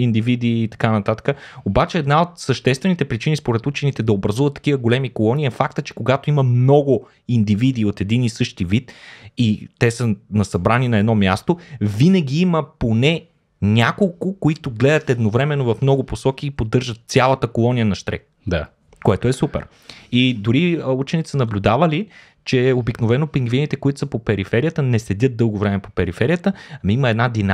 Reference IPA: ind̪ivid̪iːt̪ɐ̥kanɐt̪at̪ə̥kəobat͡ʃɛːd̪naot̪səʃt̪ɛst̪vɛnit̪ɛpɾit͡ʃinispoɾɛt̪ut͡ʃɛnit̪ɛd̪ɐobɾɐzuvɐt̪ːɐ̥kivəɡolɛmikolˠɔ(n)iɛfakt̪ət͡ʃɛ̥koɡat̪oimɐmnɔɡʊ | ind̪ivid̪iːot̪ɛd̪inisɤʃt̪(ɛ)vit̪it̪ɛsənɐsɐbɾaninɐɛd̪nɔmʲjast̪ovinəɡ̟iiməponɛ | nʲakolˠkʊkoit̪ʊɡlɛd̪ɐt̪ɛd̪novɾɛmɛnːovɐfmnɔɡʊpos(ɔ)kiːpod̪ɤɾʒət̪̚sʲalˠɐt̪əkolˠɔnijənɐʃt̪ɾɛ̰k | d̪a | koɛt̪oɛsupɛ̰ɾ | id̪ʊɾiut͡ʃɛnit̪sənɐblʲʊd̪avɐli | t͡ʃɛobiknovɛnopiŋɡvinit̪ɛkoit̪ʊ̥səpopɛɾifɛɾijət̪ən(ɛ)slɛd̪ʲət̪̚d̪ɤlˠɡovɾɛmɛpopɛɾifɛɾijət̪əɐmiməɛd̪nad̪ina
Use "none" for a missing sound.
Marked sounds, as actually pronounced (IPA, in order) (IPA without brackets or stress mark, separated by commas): n, i, ɔ, ɛ